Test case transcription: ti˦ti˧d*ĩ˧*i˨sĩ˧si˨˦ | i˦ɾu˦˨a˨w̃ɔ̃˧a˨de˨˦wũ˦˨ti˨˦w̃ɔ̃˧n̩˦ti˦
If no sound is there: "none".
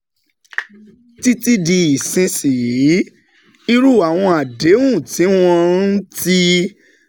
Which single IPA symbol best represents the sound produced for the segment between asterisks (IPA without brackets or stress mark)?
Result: i˧